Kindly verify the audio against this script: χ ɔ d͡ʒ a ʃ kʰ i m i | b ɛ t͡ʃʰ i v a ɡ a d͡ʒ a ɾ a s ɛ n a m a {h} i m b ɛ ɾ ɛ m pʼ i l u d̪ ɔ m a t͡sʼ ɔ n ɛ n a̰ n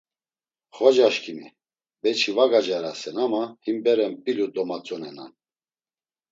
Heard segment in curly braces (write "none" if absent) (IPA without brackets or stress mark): h